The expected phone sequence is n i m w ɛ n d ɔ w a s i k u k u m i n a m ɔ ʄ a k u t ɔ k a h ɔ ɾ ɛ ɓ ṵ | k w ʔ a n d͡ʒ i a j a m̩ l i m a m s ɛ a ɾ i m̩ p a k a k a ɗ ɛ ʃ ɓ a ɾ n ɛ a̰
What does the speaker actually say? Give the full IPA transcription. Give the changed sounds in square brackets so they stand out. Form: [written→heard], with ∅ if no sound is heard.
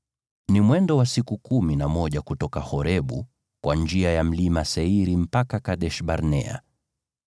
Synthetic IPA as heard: n i m w ɛ n d ɔ w a s i k u k u m i n a m ɔ ʄ a k u t ɔ k a h ɔ ɾ ɛ ɓ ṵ | k w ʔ a n d͡ʒ i a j a m̩ l i m a [m→∅] s ɛ [a→i] ɾ i m̩ p a k a k a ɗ ɛ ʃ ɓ a ɾ n ɛ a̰